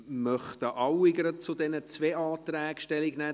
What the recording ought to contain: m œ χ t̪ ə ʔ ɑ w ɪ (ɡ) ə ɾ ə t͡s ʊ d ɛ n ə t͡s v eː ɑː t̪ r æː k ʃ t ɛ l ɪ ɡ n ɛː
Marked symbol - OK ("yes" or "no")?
yes